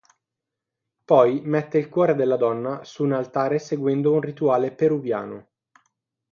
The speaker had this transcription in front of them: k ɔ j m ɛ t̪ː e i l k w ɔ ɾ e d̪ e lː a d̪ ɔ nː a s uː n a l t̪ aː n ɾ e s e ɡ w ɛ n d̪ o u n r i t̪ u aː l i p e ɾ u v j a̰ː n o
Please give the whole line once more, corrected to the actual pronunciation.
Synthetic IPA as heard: p ɔ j m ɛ t̪ː e i l k w ɔː ɾ e d̪ e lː a d̪ ɔ nː a s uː n a l t̪ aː ɾ e s e ɡ w ɛ n d̪ o u n r i t̪ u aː l e p e ɾ u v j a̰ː n o